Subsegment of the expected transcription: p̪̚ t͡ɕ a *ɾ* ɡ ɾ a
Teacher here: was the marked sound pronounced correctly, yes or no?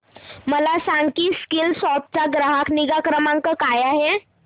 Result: no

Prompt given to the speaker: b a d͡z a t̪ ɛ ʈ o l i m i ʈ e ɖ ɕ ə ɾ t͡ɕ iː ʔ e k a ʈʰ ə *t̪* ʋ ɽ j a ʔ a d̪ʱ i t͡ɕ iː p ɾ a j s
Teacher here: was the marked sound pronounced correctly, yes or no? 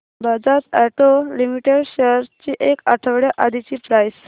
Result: no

